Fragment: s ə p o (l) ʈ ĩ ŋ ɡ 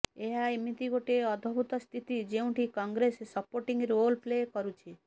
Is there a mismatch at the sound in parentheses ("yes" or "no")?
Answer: yes